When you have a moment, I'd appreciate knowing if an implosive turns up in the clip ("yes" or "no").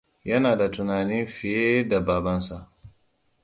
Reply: no